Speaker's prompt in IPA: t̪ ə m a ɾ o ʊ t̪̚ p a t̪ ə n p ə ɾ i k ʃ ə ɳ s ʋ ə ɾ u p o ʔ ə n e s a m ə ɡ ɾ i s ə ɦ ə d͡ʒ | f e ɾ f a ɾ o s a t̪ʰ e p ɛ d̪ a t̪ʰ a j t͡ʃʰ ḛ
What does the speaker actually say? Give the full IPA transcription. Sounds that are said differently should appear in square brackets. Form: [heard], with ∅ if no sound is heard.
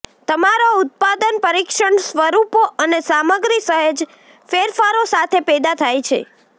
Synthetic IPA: t̪ ə m a ɾ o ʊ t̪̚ p a [d̪] ə n p ə ɾ i k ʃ ə ɳ s ʋ ə ɾ u p o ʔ ə n e s a m ə ɡ ɾ i s ə ɦ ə d͡ʒ | f e ɾ f a ɾ o s a t̪ʰ e p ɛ d̪ a t̪ʰ a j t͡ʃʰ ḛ